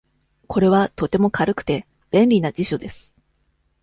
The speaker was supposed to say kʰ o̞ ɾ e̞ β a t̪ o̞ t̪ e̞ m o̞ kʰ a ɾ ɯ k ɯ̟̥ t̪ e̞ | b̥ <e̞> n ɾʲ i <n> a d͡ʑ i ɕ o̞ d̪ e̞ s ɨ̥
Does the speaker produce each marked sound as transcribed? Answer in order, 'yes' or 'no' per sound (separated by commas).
no, yes